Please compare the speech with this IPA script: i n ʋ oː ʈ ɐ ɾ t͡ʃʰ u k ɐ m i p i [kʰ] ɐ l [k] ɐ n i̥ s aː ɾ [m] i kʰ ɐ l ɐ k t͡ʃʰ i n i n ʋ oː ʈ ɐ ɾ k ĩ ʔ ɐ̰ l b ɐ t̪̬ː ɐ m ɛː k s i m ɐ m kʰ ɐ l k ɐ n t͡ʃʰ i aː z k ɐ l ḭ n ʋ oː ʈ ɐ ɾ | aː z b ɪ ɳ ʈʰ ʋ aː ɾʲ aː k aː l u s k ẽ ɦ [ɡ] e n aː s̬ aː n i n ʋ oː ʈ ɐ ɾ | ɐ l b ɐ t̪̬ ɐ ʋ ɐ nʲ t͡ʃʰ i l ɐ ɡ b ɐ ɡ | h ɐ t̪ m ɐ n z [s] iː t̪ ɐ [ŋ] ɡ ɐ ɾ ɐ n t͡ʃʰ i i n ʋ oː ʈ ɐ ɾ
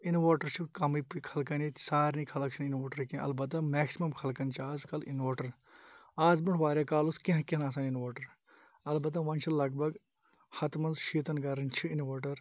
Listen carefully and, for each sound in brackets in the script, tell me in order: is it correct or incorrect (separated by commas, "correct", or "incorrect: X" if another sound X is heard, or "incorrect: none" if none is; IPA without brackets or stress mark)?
correct, correct, incorrect: n, incorrect: k, incorrect: ʃ, incorrect: n